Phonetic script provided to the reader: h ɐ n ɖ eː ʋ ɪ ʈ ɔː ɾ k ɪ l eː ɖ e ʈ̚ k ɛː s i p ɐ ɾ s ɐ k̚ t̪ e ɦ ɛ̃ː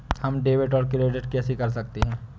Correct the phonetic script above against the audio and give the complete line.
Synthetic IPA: h ɐ m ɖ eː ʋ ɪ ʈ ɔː ɾ k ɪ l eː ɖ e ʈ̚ k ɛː s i k ɐ ɾ s ɐ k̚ t̪ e ɦ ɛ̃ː